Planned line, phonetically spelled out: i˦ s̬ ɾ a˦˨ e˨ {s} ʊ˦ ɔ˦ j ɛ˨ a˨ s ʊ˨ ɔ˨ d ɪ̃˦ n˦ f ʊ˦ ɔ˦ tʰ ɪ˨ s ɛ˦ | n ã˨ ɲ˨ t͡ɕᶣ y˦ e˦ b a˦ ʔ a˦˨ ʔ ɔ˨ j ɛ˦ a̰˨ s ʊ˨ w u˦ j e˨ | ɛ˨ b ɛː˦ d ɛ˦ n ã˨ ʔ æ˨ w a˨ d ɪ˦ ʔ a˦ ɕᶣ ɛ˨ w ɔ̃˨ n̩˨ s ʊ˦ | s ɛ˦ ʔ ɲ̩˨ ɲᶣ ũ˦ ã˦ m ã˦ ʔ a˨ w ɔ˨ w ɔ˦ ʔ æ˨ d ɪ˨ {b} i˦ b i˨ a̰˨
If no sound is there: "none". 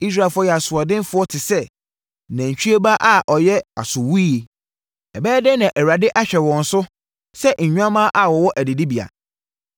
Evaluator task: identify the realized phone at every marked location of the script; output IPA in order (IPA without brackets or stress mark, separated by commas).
f, d